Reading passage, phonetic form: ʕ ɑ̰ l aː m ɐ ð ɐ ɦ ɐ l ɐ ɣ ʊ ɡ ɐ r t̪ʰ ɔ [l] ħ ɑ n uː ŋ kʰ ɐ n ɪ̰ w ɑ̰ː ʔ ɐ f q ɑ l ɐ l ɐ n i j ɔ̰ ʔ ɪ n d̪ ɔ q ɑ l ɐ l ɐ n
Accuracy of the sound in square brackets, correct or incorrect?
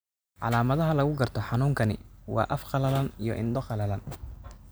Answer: incorrect